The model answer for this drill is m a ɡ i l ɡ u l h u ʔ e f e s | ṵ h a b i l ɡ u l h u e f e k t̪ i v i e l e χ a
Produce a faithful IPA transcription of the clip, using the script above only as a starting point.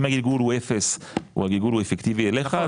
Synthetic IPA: m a ɡ i l ɡ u l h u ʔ e f e s | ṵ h a ɡ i l ɡ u l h u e f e k t̪ i v i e l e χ a